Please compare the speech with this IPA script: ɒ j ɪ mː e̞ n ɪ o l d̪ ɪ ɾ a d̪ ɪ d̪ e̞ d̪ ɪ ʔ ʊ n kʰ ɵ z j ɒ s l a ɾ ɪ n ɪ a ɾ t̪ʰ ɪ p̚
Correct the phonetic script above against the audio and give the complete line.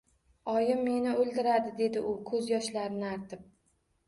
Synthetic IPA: ɒ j ɪ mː e̞ n ɪ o l d̪ ɪ ɾ a d̪ ɪ d̪ e̞ d̪ ɪ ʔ ʊ kʰ ɵ z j ɒ ʃ l a ɾ ɪ n ɪ a ɾ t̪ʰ ɪ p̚